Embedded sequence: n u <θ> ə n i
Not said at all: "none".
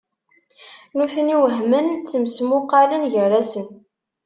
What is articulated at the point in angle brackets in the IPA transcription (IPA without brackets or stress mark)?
θ